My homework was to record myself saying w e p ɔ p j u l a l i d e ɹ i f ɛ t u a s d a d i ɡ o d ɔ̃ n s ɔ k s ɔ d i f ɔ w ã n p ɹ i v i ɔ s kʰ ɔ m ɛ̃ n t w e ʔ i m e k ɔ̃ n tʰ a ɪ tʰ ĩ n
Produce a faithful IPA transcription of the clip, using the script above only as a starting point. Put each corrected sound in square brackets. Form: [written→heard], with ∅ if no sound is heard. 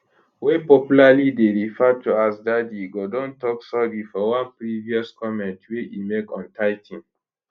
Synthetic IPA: w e p ɔ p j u l a l i d e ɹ i f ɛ t u a s d a d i ɡ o d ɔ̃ n [s→t] ɔ k s ɔ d i f ɔ w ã n p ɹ i v i ɔ s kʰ ɔ m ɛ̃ n t w e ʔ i m e k ɔ̃ n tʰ a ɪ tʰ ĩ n